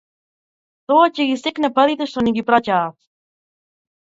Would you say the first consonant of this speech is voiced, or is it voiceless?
voiceless